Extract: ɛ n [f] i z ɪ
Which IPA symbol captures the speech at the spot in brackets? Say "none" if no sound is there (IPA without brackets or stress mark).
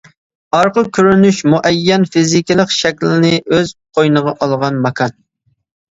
f